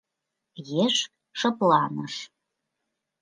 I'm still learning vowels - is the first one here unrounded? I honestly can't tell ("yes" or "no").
yes